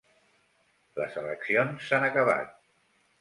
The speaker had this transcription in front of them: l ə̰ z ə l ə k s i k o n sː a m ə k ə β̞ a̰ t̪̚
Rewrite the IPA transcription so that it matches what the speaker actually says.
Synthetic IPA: l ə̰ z ə l ə k s i o n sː a n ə k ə β̞ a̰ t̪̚